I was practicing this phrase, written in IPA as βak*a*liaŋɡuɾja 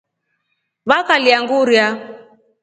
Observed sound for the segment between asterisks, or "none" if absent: a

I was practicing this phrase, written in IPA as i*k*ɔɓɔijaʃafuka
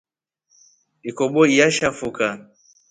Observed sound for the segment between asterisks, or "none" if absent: k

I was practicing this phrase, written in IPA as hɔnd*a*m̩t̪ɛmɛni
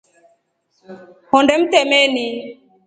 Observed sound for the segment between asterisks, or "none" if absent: ɛ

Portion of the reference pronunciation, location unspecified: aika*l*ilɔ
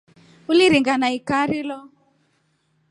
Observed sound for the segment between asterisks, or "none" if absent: ɾ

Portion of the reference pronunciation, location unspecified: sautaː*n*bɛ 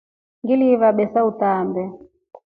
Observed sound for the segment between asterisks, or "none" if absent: m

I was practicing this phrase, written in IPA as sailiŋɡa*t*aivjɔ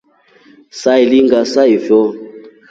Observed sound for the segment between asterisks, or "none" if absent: s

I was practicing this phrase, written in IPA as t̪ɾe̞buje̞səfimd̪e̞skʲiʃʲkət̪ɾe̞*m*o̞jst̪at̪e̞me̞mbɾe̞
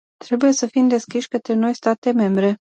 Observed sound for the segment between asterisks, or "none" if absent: n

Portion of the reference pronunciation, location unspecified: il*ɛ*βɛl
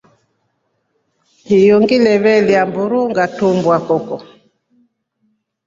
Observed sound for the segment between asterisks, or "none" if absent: ɛ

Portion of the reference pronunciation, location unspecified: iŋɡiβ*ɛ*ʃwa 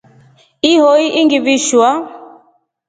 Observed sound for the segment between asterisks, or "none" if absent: i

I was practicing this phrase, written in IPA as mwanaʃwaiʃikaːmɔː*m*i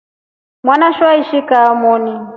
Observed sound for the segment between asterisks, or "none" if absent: n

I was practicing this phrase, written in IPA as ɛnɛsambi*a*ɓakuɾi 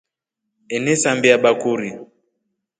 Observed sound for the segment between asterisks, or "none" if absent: a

